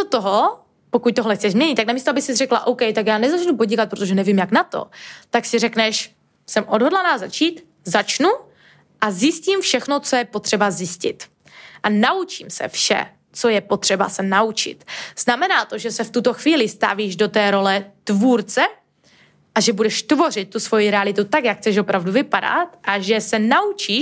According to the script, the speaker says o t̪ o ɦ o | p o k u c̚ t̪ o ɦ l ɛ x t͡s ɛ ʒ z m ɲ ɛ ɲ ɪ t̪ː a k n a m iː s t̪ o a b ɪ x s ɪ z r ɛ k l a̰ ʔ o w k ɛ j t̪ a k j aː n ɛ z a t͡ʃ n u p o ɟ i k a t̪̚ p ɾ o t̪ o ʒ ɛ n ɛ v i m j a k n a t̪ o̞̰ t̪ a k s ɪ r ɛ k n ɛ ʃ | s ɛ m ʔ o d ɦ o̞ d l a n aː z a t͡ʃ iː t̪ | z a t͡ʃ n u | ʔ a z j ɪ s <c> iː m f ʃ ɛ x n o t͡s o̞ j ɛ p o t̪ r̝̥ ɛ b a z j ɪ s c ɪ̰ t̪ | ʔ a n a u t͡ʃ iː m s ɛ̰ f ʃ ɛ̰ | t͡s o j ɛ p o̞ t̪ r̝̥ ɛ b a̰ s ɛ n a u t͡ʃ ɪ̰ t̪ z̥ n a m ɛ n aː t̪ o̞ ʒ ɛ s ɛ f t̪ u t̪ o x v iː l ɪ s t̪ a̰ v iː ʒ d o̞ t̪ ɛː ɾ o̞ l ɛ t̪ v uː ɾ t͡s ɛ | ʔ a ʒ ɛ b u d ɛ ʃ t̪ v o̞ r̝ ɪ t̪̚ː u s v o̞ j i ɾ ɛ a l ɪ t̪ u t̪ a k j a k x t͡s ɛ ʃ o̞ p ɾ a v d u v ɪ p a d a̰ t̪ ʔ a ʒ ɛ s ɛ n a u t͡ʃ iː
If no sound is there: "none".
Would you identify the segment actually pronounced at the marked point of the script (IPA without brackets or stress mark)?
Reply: c